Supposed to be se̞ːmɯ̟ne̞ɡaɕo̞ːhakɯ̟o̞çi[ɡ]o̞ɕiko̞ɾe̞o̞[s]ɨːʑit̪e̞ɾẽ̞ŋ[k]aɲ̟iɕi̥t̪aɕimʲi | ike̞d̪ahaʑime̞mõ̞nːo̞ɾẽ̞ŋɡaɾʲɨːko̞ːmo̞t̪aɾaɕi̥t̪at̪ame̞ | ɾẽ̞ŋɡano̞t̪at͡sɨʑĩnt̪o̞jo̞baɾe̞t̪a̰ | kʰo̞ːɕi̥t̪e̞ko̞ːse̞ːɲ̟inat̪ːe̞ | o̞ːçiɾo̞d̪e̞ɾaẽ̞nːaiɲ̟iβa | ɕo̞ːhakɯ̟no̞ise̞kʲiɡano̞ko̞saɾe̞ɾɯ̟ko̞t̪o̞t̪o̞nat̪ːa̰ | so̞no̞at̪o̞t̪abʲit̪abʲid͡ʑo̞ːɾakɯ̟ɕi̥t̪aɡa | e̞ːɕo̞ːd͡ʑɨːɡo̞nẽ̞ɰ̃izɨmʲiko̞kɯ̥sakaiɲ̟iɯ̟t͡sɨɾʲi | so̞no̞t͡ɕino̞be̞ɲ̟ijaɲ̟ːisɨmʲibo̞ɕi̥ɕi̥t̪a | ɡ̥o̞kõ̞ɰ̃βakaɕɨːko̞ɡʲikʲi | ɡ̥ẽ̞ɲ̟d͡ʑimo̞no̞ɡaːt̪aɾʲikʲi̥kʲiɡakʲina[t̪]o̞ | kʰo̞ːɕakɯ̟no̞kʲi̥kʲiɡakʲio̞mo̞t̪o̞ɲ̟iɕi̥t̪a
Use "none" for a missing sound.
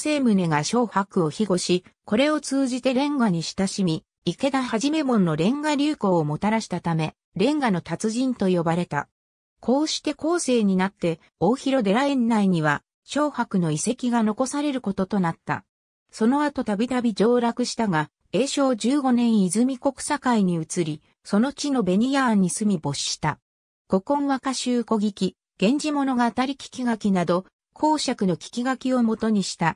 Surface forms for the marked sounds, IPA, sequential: ɡ, t͡s, ɡ, d̪

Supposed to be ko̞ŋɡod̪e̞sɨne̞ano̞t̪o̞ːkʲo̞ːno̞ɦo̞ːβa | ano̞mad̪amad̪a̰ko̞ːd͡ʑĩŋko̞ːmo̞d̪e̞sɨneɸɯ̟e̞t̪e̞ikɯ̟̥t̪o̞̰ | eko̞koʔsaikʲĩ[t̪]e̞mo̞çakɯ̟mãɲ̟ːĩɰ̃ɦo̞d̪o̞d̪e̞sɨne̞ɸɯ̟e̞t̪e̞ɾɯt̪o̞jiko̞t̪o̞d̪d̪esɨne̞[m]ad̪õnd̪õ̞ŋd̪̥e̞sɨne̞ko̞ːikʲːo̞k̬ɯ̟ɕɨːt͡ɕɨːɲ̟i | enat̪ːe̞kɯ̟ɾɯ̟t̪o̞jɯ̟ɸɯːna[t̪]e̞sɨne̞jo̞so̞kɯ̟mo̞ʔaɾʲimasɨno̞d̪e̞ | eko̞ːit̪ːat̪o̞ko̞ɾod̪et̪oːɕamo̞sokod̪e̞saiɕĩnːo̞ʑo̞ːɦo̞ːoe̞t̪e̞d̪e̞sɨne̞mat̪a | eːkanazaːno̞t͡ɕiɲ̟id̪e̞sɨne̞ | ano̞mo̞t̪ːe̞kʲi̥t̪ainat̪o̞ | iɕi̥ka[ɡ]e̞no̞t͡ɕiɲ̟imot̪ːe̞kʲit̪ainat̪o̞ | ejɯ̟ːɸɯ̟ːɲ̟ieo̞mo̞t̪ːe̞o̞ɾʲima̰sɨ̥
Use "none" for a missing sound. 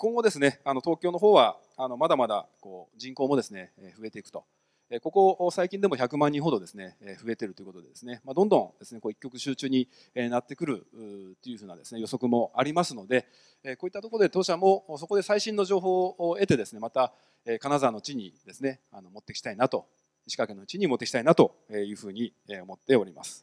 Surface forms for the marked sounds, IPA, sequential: d̪, m, d̪, k

